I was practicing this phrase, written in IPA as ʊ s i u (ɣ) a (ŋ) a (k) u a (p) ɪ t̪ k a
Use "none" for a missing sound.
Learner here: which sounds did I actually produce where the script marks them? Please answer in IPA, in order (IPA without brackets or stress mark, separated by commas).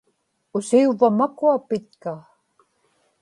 v, m, k, p